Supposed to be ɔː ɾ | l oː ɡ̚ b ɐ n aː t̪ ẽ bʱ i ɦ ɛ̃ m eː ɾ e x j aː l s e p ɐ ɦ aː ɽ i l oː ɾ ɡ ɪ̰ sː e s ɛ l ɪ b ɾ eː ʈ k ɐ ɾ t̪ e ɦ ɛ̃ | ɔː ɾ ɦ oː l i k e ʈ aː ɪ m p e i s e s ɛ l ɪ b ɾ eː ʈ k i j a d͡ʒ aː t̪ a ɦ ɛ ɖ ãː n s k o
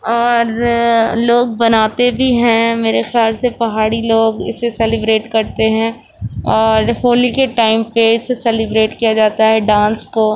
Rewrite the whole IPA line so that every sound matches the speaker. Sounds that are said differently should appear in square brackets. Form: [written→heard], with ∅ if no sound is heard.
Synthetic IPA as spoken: ɔː ɾ | l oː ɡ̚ b ɐ n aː t̪ [ẽ→e] bʱ i ɦ ɛ̃ m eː ɾ e x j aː l s e p ɐ ɦ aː ɽ i l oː [ɾ→∅] ɡ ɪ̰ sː e s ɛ l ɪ b ɾ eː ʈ k ɐ ɾ t̪ e ɦ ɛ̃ | ɔː ɾ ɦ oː l i k e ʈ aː ɪ m p e [i→ɪ] s e s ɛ l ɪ b ɾ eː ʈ k i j a d͡ʒ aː t̪ a ɦ ɛ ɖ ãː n s k o